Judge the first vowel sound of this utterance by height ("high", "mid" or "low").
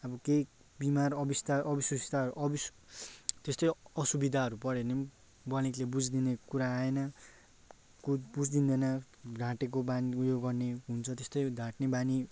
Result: mid